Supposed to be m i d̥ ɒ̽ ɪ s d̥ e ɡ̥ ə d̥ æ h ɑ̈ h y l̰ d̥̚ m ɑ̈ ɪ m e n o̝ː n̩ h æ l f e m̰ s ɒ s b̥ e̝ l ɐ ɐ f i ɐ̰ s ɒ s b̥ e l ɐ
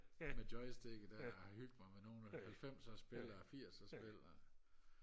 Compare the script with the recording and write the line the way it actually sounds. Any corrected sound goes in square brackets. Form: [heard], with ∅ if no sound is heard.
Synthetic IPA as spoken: m [e] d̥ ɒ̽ ɪ s d̥ e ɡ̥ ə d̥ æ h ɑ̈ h y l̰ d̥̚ m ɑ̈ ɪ m e n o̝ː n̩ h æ l f e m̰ s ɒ s b̥ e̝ l ɐ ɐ f i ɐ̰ s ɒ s b̥ e l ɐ